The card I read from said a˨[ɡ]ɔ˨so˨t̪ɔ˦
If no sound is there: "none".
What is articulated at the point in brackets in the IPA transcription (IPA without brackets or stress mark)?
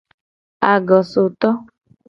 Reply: ɡ